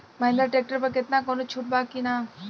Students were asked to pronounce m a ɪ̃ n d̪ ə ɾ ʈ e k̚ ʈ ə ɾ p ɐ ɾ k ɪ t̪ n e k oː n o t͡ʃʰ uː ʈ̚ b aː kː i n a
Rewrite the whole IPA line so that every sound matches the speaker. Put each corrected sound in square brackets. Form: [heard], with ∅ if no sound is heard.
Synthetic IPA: m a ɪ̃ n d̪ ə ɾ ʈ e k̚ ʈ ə ɾ p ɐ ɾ k ɪ t̪ n [a] k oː n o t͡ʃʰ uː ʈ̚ b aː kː i n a

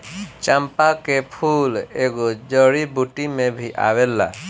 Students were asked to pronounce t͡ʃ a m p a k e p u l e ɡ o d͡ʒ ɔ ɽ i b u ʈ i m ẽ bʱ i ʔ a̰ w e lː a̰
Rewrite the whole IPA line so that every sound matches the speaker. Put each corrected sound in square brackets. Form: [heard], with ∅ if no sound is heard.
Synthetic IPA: t͡ʃ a m p a k e [pʰ] u l e ɡ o d͡ʒ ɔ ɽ i b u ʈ i m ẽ bʱ i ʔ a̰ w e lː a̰

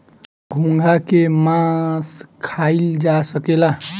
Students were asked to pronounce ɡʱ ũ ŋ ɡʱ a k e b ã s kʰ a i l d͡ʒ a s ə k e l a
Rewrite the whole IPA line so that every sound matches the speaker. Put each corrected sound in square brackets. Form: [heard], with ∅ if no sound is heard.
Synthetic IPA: ɡʱ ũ ŋ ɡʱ a k e [m] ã s kʰ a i l d͡ʒ a s ə k e l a

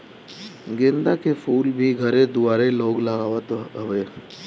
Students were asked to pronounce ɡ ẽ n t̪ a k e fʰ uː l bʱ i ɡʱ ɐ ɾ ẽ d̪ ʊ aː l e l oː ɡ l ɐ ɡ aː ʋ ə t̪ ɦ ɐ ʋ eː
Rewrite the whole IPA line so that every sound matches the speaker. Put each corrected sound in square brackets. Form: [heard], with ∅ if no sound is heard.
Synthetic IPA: ɡ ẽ n [d̪] a k e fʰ uː l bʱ i ɡʱ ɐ ɾ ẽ d̪ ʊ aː [ɾ] e l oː ɡ l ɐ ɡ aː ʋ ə t̪ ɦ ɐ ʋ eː

